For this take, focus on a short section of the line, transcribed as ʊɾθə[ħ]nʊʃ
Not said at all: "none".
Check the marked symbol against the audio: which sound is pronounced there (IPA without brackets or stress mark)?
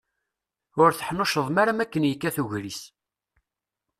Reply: ħ